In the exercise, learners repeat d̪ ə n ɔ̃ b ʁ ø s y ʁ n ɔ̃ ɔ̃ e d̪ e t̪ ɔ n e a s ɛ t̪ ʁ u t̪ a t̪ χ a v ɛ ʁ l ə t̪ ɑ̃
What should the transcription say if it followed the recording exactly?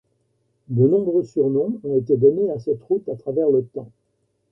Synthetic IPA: d̪ ə n ɔ̃ b ʁ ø s y ʁ n ɔ̃ ɔ̃ e t̪ e d̪ ɔ n e a s ɛ t̪ ʁ u t̪ a t̪ χ a v ɛ ʁ l ə t̪ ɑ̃